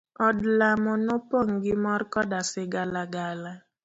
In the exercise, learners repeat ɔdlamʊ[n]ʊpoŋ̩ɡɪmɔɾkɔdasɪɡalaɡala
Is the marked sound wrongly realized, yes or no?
no